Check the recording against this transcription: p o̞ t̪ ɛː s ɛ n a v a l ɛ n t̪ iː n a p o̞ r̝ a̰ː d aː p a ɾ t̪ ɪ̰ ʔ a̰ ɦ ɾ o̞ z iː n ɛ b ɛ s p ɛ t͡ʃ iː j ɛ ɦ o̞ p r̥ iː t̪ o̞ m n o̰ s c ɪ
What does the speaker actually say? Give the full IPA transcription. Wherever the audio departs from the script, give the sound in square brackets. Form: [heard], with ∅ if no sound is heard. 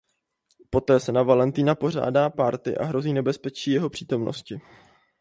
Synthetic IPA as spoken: p o̞ t̪ ɛː s ɛ n a v a l ɛ n t̪ iː n a p o̞ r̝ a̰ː d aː p a ɾ t̪ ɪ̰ ʔ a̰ ɦ ɾ o̞ z iː n ɛ b ɛ s p ɛ t͡ʃ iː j ɛ ɦ o̞ p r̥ iː t̪ o̞ m n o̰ s c ɪ